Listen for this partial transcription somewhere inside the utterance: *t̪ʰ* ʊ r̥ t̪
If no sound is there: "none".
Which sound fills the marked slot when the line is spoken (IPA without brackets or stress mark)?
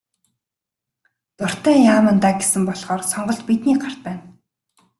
t̪